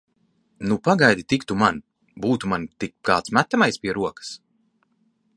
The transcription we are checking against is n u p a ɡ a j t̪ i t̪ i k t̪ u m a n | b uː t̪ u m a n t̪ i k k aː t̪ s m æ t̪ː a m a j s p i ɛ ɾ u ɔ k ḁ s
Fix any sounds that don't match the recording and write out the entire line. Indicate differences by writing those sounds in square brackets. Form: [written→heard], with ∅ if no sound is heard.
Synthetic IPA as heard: n u p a ɡ a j [t̪→d̪] i t̪ i k t̪ u m a n | b uː t̪ u m a n t̪ i k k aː t̪ s m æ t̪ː a m a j s p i ɛ ɾ u ɔ k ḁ s